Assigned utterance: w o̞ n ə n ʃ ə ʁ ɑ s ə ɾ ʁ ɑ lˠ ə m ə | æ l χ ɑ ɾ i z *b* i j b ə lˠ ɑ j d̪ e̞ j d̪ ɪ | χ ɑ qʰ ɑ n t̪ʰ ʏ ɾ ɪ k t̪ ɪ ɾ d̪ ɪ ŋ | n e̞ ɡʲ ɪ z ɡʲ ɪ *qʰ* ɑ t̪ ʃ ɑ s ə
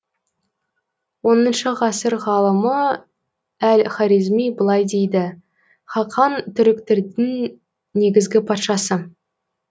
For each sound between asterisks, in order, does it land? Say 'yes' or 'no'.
no, no

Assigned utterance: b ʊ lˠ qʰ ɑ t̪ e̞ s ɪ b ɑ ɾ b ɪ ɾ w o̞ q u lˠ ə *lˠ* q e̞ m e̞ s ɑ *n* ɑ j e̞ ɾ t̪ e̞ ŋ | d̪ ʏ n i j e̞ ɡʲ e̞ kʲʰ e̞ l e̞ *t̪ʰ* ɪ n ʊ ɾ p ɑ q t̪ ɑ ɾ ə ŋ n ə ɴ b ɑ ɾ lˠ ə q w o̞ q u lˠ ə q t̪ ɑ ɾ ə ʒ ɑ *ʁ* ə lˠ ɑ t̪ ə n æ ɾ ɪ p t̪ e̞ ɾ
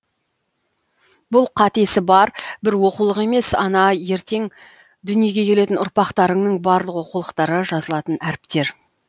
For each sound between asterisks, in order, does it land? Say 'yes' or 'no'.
no, yes, no, no

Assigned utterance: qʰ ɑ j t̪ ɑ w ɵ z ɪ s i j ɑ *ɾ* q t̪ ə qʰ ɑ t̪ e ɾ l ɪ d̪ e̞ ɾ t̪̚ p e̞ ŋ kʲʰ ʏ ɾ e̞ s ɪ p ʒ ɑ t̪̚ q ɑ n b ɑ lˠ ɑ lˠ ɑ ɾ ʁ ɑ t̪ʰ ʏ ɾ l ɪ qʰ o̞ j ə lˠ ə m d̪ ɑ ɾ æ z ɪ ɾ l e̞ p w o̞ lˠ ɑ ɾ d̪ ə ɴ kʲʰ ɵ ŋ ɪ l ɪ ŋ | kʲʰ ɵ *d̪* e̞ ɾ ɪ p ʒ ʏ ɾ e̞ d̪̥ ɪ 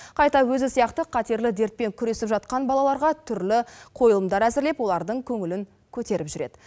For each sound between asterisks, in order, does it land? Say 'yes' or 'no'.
no, no

